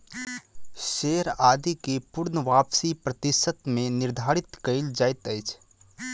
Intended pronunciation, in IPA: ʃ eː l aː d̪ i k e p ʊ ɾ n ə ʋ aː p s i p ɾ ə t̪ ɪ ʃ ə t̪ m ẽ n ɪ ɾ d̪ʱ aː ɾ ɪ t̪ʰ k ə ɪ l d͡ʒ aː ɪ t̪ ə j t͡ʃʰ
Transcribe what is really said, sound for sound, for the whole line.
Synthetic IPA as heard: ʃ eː ɾ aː d̪ i k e p ʊ ɾ n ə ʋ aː p s i p ɾ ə t̪ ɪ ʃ ə t̪ m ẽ n ɪ ɾ d̪ʱ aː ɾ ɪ t̪ k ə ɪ l d͡ʒ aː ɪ t̪ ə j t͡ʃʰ